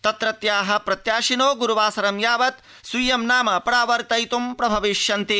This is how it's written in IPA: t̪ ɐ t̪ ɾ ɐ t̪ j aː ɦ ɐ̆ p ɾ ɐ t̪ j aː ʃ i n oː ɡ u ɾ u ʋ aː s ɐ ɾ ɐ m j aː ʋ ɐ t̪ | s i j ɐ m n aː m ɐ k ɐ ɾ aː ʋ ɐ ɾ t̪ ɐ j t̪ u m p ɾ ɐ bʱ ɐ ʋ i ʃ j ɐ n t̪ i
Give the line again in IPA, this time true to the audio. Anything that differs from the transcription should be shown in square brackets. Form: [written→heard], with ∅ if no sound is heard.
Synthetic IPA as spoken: t̪ ɐ t̪ ɾ ɐ t̪ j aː ɦ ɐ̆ p ɾ ɐ t̪ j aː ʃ i n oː ɡ u ɾ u ʋ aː s ɐ ɾ ɐ m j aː ʋ ɐ t̪ | s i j ɐ m n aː m ɐ [k→p] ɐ ɾ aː ʋ ɐ ɾ t̪ ɐ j t̪ u m p ɾ ɐ bʱ ɐ ʋ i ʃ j ɐ n t̪ i